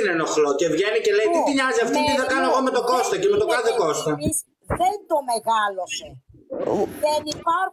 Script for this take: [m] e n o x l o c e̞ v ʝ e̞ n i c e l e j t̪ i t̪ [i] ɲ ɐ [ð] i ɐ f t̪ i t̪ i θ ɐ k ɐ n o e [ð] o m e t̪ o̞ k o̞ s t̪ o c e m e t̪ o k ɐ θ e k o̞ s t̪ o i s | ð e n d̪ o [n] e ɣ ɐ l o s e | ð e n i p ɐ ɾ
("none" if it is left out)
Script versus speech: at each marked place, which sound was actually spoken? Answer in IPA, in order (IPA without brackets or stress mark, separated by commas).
n, i, z, ɣ, m